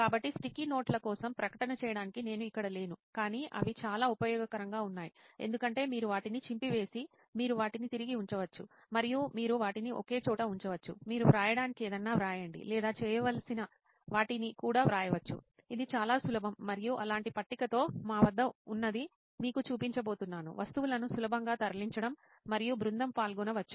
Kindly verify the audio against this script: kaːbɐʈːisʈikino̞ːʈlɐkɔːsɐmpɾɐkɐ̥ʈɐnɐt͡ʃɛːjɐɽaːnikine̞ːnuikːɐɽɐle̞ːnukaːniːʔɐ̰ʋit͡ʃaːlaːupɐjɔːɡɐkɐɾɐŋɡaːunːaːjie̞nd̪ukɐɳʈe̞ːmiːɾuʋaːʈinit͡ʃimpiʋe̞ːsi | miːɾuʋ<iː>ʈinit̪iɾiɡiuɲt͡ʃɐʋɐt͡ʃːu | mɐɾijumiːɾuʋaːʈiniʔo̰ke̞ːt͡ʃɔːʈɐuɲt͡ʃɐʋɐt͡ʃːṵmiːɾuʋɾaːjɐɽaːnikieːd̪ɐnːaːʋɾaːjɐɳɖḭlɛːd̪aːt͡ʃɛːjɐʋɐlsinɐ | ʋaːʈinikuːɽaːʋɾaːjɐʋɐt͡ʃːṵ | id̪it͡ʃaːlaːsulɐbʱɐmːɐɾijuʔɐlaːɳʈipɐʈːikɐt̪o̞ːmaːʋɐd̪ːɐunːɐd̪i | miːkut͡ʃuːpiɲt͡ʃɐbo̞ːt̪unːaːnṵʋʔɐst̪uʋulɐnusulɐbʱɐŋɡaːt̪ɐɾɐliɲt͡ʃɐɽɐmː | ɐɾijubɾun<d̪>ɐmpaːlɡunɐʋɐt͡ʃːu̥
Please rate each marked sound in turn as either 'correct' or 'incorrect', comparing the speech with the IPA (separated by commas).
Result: incorrect, correct